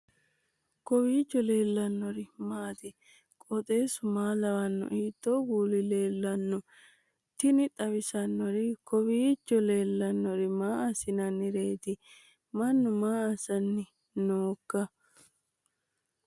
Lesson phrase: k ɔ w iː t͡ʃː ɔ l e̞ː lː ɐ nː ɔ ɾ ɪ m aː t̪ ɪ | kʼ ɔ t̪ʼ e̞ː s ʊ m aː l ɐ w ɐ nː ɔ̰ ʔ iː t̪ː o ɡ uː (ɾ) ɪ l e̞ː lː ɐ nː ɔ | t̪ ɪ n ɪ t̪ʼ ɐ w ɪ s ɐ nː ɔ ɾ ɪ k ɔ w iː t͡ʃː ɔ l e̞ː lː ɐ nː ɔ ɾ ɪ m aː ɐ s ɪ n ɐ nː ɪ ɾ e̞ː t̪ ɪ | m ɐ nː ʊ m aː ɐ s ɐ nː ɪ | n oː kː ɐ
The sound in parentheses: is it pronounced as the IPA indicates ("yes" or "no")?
no